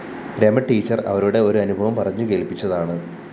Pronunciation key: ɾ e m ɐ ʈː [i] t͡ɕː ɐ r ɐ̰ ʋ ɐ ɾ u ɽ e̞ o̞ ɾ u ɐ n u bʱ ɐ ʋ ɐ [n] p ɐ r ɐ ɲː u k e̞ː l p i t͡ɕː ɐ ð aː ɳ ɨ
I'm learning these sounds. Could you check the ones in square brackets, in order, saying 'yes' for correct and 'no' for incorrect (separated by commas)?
no, no